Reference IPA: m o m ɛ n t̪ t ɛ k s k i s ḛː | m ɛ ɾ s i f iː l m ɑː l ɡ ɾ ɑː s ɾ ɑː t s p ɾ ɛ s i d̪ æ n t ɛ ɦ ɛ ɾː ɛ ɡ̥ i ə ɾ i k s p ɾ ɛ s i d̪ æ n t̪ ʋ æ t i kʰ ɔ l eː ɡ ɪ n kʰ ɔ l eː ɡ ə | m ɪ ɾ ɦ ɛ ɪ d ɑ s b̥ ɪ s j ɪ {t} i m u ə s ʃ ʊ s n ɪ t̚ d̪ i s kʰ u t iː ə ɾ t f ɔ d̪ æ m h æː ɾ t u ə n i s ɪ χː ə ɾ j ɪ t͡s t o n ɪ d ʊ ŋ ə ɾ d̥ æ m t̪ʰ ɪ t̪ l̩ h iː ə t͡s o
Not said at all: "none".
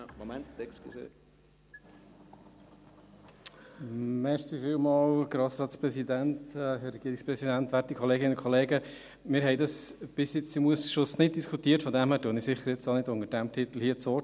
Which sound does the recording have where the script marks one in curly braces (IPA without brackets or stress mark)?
t͡s